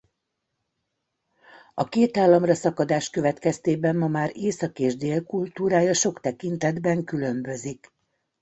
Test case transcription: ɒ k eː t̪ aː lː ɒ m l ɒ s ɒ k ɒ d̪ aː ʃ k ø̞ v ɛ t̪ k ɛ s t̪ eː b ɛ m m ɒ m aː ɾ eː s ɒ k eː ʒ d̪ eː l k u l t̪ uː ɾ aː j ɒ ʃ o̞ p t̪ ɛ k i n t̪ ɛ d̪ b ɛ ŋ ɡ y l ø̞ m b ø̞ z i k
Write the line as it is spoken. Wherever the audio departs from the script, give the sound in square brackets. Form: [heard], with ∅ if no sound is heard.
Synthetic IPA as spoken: ɒ k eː t̪ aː lː ɒ m [r] ɒ s ɒ k ɒ d̪ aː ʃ k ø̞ v ɛ t̪ k ɛ s t̪ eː b ɛ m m ɒ m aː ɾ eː s ɒ k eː ʒ d̪ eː l k u l t̪ uː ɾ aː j ɒ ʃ o̞ [k] t̪ ɛ k i n t̪ ɛ d̪ b ɛ ŋ [k] y l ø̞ m b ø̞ z i k